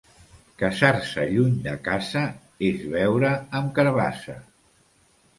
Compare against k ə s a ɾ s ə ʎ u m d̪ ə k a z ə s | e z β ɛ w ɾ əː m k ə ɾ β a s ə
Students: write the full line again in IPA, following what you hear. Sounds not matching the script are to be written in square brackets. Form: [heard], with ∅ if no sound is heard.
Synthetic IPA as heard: k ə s a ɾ s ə ʎ u [ɲ] d̪ ə k a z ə [∅] | e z β ɛ w ɾ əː m k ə ɾ β a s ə